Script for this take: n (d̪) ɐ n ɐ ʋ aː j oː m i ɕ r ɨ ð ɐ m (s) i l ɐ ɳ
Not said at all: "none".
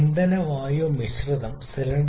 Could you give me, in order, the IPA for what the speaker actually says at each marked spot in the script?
d̪, s

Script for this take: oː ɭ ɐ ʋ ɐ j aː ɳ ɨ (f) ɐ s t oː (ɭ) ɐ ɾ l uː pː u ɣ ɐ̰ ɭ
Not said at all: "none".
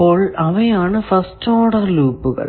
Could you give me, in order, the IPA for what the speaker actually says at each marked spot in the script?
f, ɽ

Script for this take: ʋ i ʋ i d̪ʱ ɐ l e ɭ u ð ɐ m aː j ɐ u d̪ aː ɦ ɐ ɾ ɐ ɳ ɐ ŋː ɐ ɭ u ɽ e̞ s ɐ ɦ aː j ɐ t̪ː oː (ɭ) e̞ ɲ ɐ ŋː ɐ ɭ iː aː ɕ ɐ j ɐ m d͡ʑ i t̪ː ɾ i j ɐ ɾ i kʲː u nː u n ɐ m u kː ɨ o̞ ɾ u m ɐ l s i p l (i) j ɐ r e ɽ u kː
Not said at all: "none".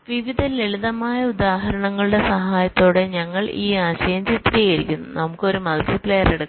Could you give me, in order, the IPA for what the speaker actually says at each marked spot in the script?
ɽ, e

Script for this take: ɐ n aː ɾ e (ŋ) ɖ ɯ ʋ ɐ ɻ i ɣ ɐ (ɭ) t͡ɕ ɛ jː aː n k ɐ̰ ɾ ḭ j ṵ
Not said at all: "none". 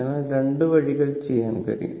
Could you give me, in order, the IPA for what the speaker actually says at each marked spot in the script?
ɳ, ɭ

